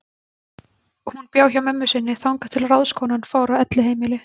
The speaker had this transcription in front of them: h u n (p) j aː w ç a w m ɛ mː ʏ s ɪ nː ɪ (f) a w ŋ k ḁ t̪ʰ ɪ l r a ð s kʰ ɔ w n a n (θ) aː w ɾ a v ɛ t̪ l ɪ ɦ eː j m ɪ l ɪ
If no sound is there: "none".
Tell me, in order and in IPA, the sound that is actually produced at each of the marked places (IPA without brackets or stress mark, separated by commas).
p, θ, f